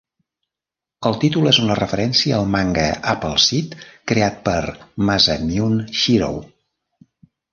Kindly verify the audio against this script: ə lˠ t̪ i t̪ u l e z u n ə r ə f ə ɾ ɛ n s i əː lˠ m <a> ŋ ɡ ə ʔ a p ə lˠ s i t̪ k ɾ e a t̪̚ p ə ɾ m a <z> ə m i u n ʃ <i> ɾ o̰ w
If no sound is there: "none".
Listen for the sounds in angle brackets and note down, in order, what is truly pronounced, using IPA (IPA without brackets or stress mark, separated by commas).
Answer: a, z, i